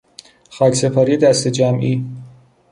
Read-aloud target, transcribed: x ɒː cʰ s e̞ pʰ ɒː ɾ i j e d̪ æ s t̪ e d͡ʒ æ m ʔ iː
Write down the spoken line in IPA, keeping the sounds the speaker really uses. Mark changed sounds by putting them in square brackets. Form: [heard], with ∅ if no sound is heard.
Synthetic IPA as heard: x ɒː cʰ s e̞ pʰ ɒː ɾ i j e d̪ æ s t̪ e d͡ʒ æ m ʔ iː